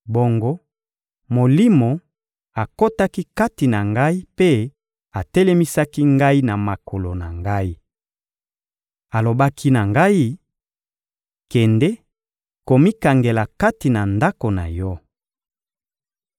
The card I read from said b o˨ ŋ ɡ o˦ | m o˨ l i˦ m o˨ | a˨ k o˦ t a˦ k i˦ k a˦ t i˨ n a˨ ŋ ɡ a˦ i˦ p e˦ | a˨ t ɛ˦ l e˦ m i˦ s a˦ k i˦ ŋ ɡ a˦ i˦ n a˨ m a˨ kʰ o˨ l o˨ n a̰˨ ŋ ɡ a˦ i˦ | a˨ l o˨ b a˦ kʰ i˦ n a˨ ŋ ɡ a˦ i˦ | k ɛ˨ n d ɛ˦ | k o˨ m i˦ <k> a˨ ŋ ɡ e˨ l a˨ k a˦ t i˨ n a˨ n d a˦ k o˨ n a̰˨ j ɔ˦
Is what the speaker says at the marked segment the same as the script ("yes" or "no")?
yes